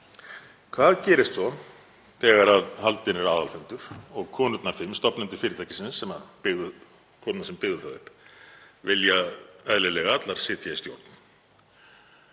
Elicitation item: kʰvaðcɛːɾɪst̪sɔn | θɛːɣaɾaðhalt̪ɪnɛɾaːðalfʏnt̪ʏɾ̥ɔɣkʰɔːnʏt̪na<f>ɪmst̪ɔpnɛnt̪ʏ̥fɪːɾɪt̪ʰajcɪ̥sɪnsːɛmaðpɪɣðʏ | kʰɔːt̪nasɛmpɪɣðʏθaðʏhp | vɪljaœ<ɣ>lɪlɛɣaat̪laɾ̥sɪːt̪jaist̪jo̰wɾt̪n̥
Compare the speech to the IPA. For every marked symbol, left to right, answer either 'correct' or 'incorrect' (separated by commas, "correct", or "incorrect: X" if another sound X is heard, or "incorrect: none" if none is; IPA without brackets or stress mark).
correct, incorrect: ð